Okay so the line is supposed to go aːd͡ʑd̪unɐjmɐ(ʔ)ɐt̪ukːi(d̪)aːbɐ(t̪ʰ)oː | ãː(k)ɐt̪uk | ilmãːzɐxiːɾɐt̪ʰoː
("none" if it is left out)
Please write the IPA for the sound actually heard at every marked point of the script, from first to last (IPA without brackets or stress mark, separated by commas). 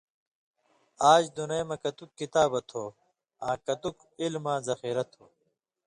k, t̪, t̪ʰ, k